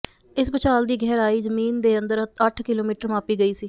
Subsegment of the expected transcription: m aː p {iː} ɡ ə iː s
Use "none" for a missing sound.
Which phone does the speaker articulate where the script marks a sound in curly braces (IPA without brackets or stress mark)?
iː